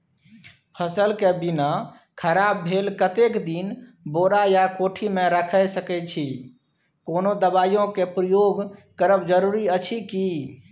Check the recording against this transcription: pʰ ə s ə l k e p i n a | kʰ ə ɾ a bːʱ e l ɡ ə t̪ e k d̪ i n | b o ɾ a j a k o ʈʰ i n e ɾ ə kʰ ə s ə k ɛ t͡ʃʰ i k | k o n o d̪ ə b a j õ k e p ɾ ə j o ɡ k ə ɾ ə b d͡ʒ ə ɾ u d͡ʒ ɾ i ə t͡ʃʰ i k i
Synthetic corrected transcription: pʰ ə s ə l k e b i n a | kʰ ə ɾ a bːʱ e l k ə t̪ e k d̪ i n | b o ɾ a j a k o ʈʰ i m e ɾ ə kʰ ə s ə k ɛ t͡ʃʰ i | k o n o d̪ ə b a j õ k e p ɾ ə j o ɡ k ə ɾ ə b d͡ʒ ə ɾ u ɾ i ə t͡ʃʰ i k i